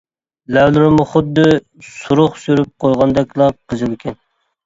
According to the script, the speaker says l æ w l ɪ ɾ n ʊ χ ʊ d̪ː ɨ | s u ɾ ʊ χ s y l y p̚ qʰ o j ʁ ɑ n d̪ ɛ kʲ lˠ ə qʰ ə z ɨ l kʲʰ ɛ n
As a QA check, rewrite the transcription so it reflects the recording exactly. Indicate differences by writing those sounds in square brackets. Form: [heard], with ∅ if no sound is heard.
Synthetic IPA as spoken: l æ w l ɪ ɾ [m] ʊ χ ʊ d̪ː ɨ | s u ɾ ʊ χ s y [ɾ] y p̚ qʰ o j ʁ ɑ n d̪ ɛ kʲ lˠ [ɑ] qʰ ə z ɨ l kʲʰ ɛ n